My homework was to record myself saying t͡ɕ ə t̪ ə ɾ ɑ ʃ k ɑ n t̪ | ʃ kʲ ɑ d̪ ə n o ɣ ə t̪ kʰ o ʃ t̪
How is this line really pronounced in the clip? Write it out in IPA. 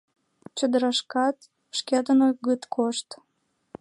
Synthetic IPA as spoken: t͡ɕ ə d̪ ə ɾ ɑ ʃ k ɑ t̪ | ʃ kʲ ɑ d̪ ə n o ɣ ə t̪ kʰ o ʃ t̪